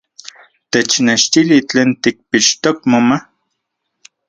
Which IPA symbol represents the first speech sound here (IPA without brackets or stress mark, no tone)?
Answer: t̪